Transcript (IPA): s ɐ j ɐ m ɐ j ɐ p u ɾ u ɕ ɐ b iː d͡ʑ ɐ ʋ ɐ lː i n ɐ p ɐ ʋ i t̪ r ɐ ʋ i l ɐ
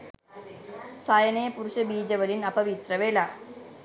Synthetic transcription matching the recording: s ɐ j ɐ n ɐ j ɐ p u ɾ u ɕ ɐ b iː d͡ʑ ɐ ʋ ɐ l i n ɐ p ɐ ʋ i t̪ r ɐ ʋ e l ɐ